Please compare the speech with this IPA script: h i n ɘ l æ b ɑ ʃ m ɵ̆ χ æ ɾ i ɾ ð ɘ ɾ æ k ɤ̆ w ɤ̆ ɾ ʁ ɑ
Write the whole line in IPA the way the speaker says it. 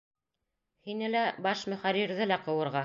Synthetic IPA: h i n ɘ l æ b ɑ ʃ m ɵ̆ χ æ ɾ i ɾ ð ɘ l æ q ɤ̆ w ɤ̆ ɾ ʁ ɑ

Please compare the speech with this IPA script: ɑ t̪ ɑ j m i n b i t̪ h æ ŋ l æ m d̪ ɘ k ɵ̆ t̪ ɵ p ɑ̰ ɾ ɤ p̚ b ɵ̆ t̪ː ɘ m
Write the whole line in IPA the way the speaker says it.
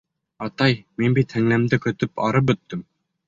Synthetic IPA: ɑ t̪ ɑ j m i n b i t̪ h æ ŋ l æ m d̪ ɘ k ɵ̆ t̪ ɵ p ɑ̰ ɾ ɤ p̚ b ɵ̆ t̪ː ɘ m

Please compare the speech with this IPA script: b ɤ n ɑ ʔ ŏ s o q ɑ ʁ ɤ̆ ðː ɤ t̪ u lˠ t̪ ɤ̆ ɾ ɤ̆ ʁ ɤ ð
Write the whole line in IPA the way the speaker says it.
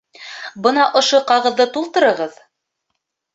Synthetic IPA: b ɤ n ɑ ʔ ŏ ʃ o q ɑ ʁ ɤ̆ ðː ɤ t̪ u lˠ t̪ ɤ̆ ɾ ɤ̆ ʁ ɤ ð

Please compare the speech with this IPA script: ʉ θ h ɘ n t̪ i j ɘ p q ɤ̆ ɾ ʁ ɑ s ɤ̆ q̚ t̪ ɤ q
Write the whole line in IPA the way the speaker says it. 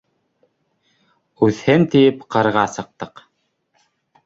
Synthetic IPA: ʉ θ h ɘ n t̪ i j ɘ p q ɤ̆ ɾ ʁ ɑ s ɤ̆ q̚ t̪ ɤ q

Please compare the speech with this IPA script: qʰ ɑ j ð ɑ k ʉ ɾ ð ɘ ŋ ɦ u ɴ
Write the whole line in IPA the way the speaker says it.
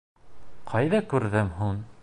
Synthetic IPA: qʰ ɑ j ð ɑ k ʉ ɾ ð ɘ m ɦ u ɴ

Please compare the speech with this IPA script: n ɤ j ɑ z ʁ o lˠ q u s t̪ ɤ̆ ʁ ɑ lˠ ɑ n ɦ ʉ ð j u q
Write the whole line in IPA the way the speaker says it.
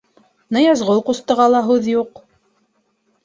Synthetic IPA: n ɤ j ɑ z ʁ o lˠ q u s t̪ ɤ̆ ʁ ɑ lˠ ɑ ɦ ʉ ð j u q

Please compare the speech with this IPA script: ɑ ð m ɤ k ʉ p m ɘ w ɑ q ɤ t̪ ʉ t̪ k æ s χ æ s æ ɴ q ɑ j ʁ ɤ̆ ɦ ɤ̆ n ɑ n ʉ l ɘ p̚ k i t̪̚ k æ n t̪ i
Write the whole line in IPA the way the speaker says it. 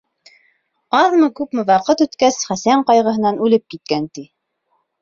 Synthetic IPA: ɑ ð m ɤ k ʉ p m ɘ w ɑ q ɤ t̪ ʉ t̪ k æ s χ æ s æ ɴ q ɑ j ʁ ɤ̆ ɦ ɤ̆ n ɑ n ʉ l ɘ p̚ k i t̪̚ k æ n t̪ i

